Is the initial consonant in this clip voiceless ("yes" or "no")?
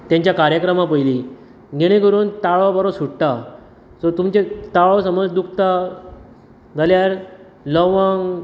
yes